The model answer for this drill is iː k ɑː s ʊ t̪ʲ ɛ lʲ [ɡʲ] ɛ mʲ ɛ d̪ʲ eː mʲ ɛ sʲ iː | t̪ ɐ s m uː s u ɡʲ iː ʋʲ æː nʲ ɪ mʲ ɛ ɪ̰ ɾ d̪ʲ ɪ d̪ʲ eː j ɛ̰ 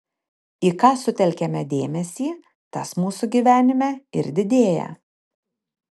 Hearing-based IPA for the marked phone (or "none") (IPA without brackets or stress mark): kʲ